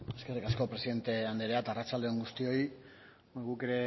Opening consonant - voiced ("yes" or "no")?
no